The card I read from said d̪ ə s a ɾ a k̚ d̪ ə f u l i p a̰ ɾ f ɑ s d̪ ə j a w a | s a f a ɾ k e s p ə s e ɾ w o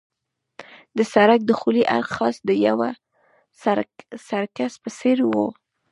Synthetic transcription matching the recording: d̪ ə s a ɾ a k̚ d̪ ə x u l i ʔ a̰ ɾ x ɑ s d̪ ə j a w a | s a s a ɾ k a s p ə s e ɾ w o